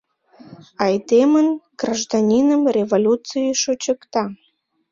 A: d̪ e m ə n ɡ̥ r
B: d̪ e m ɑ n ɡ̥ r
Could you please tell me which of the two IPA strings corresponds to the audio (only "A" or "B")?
A